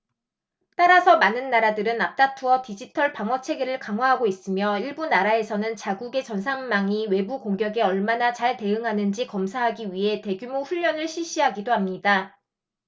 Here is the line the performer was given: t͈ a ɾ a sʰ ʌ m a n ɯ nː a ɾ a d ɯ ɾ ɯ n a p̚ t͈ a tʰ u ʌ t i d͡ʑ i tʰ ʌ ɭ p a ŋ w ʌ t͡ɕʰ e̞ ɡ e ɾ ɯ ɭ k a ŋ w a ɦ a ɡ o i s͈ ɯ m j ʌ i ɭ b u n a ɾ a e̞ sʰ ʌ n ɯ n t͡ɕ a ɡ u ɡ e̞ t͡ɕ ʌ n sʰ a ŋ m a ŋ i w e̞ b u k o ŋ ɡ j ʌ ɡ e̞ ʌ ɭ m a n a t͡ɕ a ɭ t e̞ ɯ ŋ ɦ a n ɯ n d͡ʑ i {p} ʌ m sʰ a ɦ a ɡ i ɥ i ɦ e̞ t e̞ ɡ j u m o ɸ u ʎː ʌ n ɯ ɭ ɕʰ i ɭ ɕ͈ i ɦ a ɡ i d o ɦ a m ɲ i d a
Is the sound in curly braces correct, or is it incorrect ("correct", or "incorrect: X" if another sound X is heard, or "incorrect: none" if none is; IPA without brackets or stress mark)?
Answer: incorrect: k